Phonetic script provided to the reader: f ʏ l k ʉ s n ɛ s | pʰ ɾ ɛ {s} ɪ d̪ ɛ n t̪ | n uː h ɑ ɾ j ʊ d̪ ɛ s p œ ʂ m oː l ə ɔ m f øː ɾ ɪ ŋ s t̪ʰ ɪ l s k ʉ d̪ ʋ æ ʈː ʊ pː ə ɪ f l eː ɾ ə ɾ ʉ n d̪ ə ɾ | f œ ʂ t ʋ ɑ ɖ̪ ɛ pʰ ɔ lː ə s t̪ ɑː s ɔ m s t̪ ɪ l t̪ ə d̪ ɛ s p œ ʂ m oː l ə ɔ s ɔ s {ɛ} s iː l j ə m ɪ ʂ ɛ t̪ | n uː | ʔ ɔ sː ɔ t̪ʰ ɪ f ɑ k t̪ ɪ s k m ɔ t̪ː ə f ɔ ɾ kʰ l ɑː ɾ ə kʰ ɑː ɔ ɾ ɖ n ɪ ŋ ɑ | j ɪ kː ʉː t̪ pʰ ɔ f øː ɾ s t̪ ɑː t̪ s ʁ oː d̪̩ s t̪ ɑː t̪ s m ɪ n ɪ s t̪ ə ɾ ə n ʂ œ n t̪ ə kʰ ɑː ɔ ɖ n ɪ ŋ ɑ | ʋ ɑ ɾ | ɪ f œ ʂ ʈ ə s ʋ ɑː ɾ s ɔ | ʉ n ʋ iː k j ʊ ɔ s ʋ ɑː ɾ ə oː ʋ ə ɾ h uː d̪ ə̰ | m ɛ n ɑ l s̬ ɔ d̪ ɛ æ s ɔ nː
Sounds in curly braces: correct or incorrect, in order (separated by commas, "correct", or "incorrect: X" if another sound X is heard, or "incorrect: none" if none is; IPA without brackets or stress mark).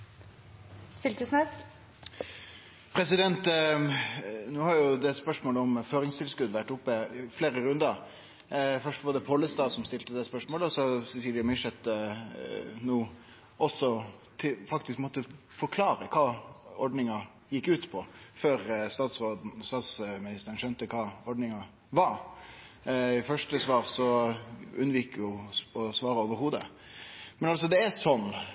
correct, correct